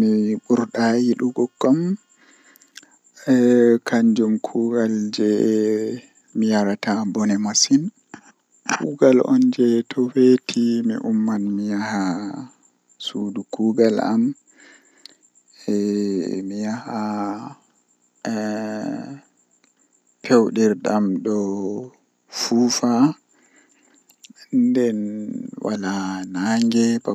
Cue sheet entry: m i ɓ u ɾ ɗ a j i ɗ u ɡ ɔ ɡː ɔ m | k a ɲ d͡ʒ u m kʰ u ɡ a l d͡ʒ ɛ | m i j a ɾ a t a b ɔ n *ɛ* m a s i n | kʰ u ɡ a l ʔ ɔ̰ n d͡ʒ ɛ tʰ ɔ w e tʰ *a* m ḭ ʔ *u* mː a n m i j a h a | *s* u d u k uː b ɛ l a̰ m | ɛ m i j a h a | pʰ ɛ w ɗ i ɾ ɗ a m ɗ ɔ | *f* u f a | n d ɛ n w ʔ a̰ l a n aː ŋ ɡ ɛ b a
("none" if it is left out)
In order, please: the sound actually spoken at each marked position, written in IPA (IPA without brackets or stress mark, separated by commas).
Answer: ɛ, i, u, s, f